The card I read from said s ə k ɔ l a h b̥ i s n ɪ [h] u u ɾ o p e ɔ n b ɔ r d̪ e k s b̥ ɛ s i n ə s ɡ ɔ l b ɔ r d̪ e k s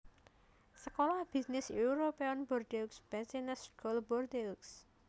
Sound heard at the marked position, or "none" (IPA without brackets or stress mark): s